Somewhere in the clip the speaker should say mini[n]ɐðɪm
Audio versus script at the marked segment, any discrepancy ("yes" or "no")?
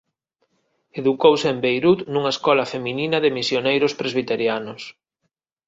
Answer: no